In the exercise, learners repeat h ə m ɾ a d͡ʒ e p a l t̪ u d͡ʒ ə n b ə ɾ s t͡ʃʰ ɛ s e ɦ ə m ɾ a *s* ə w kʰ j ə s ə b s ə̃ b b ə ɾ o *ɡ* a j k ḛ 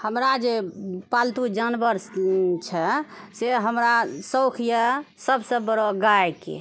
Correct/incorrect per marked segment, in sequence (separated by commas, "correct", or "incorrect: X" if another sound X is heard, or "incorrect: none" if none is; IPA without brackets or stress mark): correct, correct